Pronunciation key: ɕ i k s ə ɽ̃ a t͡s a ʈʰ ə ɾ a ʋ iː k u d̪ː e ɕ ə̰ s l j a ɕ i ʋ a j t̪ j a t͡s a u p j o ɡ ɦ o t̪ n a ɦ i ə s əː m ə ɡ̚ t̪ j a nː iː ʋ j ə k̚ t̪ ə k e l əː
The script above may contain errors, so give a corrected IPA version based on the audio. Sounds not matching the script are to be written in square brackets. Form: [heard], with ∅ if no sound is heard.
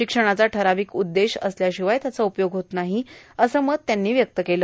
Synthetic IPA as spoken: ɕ i k [ʂ] ə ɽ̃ a t͡s a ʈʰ ə ɾ a ʋ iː k u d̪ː e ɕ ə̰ s l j a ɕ i ʋ a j t̪ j a t͡s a u p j o ɡ ɦ o t̪ n a ɦ i ə s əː m ə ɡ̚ t̪ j a nː iː ʋ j ə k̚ t̪ ə k e l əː